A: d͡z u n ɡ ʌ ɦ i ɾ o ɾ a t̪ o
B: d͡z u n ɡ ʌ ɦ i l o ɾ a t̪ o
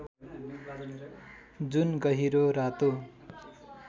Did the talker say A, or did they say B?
A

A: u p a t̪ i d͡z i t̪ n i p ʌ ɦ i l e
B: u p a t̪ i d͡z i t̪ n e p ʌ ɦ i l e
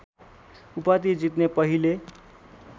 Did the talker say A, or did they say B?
B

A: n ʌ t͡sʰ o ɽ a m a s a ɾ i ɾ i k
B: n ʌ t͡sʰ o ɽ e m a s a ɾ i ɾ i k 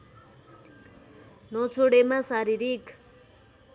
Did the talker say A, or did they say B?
B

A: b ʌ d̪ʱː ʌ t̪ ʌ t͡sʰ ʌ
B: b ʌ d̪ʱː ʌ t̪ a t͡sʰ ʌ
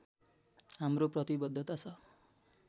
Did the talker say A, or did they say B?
B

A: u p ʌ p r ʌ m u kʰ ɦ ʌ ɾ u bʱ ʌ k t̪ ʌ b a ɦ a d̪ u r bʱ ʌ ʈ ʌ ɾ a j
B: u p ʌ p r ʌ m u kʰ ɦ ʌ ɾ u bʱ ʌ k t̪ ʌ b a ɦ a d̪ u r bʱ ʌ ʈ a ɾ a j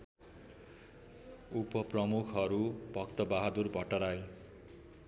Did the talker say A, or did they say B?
A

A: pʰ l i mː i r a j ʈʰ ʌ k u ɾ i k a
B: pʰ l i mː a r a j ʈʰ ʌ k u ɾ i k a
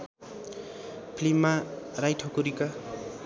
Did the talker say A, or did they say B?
B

